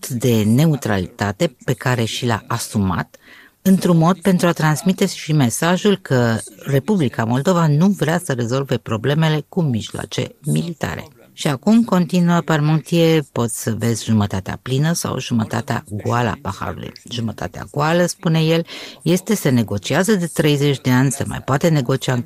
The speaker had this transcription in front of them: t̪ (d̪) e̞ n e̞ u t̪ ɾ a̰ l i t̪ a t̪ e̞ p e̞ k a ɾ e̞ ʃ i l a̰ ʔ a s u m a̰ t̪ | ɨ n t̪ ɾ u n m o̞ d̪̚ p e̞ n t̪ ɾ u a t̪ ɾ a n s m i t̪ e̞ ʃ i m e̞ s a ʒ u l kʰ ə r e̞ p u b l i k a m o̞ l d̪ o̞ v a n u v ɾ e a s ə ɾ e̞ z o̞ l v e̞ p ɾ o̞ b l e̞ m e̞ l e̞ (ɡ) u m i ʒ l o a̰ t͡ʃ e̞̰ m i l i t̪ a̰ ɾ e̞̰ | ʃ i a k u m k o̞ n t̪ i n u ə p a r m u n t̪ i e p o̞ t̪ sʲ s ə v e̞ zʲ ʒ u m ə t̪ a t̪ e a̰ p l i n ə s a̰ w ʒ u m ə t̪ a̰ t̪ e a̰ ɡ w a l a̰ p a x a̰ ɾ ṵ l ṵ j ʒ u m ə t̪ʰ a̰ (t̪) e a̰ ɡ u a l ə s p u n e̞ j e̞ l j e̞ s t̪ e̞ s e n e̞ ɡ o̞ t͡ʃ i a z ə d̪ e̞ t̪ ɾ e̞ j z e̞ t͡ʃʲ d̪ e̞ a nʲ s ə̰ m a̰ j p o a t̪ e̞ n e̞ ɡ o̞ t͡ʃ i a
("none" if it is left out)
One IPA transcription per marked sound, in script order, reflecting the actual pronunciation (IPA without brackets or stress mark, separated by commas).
d̪, k, t̪